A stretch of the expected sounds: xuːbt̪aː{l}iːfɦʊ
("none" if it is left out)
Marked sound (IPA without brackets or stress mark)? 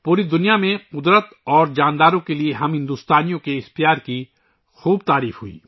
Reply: ɾ